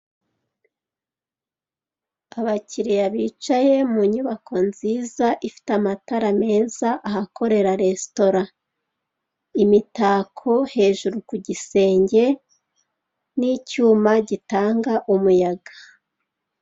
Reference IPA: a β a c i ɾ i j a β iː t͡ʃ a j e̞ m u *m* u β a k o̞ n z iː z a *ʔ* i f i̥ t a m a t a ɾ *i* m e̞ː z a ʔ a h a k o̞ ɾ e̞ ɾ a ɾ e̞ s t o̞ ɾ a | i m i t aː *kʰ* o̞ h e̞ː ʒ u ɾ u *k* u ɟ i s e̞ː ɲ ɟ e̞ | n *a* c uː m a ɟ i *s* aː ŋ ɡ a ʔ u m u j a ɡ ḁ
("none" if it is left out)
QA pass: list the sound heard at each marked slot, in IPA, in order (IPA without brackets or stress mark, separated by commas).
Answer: ɲ, ʔ, a, kʰ, k, i, t